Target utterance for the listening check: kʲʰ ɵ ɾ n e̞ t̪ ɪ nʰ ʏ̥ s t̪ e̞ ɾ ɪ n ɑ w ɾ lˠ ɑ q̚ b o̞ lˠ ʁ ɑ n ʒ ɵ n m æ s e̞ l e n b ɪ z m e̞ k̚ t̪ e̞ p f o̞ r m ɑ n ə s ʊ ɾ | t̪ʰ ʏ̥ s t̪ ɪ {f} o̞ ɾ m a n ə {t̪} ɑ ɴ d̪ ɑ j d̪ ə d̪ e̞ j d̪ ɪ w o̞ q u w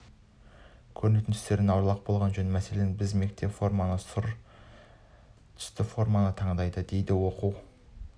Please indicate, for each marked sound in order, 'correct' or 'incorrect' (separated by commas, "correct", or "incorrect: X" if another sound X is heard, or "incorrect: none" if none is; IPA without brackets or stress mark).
correct, incorrect: t̪ʰ